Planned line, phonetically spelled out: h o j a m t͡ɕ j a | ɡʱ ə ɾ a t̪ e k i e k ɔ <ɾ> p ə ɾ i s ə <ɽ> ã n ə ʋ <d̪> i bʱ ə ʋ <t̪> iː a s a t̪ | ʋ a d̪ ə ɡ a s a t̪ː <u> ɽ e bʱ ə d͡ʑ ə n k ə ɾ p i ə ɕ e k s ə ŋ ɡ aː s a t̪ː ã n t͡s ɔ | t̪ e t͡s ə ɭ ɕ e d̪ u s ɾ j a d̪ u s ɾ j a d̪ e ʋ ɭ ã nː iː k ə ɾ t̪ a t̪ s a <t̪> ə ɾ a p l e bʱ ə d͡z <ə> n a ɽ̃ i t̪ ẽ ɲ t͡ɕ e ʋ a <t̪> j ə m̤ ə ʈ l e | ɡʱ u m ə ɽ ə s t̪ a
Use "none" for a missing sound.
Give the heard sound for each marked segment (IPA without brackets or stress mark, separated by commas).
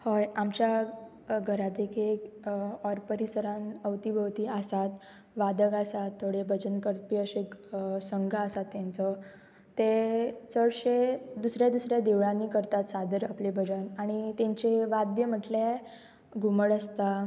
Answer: ɾ, ɾ, t̪, t̪, o, d̪, ə, d̪